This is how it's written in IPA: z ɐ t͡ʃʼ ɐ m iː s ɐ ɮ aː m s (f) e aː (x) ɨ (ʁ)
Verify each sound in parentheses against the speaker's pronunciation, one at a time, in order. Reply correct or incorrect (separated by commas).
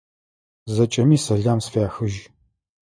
correct, correct, incorrect